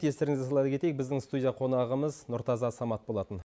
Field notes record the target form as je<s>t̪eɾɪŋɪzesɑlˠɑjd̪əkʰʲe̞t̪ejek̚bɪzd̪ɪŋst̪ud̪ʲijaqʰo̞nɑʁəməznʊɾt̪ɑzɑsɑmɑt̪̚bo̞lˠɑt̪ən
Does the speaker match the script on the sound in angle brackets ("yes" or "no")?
yes